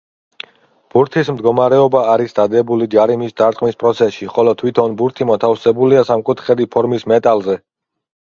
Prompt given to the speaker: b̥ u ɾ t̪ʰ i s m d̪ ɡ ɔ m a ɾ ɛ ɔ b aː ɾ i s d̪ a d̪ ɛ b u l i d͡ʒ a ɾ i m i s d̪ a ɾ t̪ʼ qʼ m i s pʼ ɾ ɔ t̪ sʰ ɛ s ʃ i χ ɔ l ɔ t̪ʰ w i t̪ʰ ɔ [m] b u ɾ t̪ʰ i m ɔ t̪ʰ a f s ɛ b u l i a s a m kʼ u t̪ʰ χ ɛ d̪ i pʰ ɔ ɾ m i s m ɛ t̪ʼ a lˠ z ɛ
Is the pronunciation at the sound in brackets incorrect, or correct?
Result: incorrect